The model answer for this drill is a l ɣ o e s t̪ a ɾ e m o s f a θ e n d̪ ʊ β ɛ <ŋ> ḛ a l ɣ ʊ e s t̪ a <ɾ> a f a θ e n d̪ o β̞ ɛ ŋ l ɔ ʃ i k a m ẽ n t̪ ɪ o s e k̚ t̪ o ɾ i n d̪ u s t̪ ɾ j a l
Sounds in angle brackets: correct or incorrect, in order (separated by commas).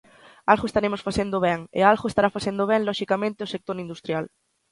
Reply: correct, correct